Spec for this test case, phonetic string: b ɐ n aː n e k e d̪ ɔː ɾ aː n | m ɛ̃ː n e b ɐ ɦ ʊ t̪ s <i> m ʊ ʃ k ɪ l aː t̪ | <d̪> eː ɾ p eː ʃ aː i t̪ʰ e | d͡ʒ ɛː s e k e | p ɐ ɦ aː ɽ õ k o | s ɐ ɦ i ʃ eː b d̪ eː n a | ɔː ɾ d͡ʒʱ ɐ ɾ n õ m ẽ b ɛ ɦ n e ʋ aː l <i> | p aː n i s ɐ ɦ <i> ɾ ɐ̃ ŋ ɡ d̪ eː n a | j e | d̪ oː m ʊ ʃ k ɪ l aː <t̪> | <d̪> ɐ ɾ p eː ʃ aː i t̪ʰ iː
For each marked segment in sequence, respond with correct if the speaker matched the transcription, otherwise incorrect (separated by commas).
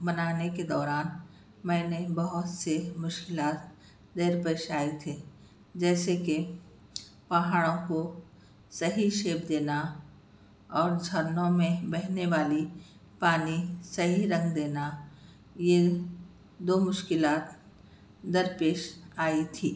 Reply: incorrect, correct, correct, correct, correct, correct